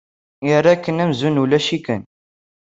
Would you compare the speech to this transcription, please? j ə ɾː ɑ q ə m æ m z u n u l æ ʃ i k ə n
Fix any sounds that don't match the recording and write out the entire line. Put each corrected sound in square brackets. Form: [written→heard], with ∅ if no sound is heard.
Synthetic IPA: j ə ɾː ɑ [q→k] ə [m→n] æ m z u n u l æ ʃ i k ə n